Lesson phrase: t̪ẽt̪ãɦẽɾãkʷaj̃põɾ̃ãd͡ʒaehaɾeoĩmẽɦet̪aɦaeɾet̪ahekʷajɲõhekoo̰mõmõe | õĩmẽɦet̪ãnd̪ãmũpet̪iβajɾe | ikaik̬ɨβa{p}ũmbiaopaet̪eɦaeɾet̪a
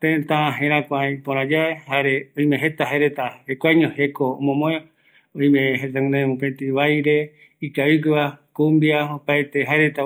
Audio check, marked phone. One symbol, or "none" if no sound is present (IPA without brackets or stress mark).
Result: k